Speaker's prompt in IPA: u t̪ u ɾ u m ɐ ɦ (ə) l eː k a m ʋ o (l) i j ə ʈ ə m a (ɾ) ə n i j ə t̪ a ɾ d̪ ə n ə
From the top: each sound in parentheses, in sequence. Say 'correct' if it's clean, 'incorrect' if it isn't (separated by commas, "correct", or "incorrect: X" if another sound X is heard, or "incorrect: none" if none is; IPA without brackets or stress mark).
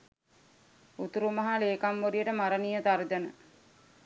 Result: incorrect: a, incorrect: ɾ, correct